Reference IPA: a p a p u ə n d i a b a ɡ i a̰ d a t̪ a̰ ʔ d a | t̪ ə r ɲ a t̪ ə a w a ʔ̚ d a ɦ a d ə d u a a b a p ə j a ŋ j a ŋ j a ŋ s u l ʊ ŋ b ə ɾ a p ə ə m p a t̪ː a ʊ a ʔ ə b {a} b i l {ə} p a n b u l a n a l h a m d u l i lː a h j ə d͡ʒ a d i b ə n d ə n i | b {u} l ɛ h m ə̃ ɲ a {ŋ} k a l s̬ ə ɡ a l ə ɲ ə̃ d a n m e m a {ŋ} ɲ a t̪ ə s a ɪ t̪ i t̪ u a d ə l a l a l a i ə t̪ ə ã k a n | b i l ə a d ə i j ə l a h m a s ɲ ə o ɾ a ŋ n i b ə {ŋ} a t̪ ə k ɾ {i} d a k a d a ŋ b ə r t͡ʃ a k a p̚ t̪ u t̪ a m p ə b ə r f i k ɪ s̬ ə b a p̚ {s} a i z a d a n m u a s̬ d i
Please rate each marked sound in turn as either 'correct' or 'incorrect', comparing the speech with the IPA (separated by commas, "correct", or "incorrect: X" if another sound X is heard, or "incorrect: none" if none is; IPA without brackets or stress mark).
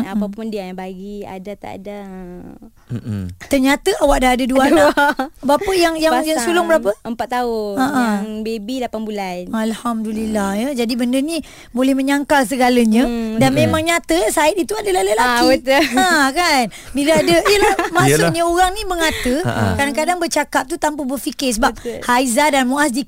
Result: incorrect: e, incorrect: a, incorrect: o, correct, correct, correct, incorrect: a, incorrect: h